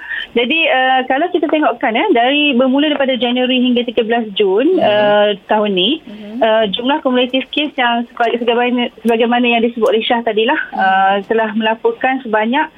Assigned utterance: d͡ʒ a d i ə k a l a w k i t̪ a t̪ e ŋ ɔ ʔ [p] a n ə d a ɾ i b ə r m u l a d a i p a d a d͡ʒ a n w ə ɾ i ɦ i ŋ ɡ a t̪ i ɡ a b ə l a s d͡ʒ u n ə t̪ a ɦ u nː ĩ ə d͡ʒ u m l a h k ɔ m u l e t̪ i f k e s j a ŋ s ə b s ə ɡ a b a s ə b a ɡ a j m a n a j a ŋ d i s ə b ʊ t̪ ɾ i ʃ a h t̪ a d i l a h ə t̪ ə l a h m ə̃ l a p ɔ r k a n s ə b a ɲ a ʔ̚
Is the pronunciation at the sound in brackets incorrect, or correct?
incorrect